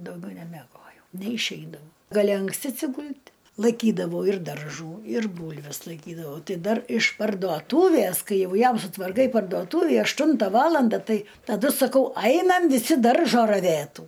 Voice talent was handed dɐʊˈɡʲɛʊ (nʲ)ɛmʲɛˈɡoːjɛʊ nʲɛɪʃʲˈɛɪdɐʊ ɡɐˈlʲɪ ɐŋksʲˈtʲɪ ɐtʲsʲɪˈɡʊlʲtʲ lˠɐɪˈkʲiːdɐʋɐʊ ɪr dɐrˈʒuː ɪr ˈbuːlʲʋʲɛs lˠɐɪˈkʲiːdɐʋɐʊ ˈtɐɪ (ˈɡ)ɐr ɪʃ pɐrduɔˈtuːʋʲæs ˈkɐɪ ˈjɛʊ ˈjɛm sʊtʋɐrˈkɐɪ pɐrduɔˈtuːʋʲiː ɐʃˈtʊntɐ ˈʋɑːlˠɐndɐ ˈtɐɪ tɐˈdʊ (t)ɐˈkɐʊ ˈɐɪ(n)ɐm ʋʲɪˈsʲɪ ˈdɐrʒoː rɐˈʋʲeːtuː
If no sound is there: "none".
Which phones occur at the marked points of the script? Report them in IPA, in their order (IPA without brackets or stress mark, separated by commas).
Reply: nʲ, d, s, n